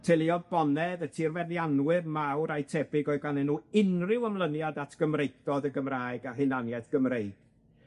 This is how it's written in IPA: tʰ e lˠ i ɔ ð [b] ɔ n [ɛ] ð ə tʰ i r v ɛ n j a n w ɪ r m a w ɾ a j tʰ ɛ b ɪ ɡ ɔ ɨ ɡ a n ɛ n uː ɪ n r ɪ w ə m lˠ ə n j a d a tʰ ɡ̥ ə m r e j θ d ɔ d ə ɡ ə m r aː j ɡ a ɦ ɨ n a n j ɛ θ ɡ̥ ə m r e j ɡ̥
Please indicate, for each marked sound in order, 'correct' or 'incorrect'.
correct, correct

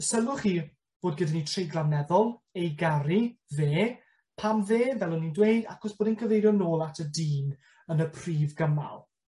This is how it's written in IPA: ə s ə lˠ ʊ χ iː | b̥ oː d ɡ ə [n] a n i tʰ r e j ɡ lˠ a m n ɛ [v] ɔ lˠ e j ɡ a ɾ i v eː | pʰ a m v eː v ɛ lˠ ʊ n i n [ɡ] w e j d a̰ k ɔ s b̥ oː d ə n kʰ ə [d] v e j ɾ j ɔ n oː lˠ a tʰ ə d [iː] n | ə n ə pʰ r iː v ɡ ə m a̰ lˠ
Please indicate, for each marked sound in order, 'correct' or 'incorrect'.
incorrect: d, incorrect: ð, incorrect: d, incorrect: none, correct

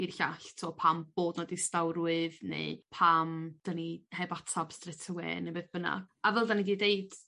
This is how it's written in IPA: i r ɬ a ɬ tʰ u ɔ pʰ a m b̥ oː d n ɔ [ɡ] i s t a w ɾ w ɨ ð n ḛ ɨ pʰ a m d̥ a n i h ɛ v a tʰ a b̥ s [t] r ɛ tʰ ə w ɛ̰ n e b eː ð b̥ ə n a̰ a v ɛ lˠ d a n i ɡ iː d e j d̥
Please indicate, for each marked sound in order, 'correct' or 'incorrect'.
incorrect: d, correct

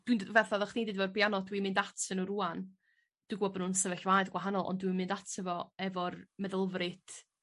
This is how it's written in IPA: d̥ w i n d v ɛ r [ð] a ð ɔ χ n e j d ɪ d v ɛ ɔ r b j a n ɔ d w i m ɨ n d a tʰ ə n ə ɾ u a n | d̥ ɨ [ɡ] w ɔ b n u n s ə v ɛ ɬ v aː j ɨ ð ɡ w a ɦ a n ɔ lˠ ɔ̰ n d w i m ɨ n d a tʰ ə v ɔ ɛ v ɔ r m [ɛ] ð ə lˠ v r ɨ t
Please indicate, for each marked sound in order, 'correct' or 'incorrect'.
incorrect: θ, correct, correct

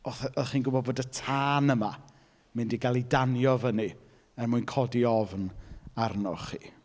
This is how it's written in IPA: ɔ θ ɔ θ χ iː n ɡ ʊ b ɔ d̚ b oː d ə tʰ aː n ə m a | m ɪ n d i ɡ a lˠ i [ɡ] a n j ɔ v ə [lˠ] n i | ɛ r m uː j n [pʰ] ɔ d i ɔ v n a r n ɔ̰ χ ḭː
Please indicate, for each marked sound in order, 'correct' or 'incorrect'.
incorrect: d, incorrect: none, incorrect: kʰ

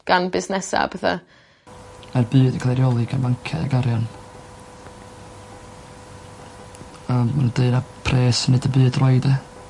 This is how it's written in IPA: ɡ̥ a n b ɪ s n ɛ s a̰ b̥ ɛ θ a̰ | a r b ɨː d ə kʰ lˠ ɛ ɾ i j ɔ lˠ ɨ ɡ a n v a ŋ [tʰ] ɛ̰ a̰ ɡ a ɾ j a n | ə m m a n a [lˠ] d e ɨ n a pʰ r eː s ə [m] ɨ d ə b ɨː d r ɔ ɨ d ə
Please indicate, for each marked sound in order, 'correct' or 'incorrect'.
incorrect: kʰ, incorrect: none, incorrect: n

